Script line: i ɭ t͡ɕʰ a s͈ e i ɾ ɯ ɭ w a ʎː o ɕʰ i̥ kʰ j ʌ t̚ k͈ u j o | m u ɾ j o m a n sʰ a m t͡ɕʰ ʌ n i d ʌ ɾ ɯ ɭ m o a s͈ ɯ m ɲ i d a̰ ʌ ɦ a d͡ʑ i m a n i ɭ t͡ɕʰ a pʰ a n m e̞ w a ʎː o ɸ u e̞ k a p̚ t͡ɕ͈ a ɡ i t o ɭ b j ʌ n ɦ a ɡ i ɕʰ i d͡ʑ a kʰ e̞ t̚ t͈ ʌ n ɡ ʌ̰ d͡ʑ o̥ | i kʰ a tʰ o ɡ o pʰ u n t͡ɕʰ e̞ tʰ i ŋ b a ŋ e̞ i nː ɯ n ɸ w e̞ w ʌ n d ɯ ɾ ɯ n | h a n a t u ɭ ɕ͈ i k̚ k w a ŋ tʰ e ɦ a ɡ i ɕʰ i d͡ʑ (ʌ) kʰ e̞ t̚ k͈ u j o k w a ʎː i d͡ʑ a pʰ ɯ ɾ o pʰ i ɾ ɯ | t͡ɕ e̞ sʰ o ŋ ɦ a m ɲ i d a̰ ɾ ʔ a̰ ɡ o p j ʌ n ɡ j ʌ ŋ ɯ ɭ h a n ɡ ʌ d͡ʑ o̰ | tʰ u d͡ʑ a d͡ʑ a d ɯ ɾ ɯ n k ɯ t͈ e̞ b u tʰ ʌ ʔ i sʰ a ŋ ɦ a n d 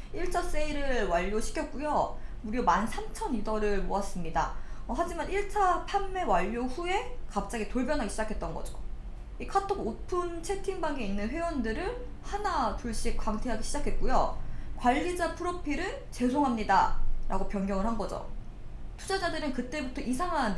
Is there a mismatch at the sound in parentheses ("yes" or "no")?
yes